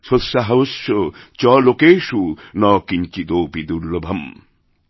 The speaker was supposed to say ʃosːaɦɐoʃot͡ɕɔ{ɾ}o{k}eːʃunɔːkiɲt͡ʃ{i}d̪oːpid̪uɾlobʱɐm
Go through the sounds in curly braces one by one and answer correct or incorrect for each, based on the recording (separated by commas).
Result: incorrect, correct, correct